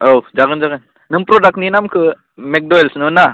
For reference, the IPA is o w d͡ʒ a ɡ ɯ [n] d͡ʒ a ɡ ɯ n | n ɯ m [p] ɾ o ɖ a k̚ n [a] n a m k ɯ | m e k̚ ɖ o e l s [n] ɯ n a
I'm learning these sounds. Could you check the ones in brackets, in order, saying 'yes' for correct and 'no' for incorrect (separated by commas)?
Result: yes, yes, no, yes